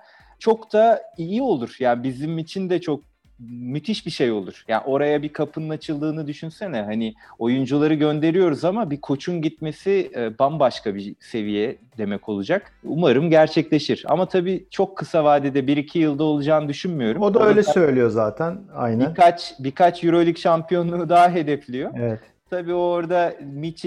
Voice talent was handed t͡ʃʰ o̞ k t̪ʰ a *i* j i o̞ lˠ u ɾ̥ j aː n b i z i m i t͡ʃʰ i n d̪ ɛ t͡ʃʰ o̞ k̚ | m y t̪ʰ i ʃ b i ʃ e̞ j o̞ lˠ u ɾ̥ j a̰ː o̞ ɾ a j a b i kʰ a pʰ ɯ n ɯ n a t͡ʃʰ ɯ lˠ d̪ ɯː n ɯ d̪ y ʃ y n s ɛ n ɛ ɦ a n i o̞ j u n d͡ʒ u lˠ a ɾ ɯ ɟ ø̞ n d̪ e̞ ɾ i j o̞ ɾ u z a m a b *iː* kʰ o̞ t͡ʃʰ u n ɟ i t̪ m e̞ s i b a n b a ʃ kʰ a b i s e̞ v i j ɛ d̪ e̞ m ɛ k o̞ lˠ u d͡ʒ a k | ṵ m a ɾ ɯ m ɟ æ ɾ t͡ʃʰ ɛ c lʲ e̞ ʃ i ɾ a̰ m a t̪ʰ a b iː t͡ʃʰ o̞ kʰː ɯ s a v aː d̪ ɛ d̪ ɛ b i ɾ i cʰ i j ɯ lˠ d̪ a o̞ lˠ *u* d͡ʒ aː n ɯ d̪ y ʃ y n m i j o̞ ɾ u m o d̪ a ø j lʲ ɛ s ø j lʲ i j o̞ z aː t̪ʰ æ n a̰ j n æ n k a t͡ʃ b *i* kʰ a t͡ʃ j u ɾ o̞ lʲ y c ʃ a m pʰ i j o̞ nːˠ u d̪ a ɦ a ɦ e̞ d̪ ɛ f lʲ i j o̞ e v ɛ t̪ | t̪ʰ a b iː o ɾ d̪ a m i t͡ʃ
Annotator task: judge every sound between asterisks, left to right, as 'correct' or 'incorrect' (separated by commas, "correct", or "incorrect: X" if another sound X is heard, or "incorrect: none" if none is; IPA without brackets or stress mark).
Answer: correct, incorrect: i, correct, correct